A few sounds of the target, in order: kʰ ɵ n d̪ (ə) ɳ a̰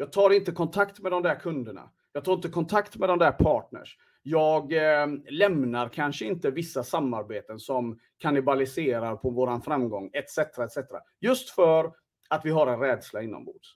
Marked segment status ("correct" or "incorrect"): correct